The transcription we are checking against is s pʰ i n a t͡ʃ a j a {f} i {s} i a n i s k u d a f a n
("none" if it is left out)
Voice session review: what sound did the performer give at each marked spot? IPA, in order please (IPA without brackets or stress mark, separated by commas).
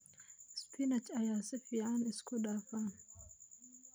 s, f